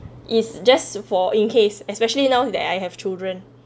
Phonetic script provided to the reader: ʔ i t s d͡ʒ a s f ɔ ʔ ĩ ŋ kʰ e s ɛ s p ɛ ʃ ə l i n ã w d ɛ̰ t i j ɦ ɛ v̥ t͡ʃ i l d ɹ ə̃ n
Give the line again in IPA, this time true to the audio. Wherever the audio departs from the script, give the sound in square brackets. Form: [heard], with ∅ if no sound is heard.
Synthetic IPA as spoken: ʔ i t s d͡ʒ a s f ɔ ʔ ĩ [n] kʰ e s ɛ s p ɛ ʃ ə l i n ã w d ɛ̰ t [a] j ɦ ɛ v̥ t͡ʃ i l d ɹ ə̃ n